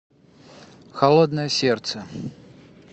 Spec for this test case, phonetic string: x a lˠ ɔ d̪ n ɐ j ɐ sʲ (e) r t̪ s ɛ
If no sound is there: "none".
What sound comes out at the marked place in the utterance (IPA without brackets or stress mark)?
ɛ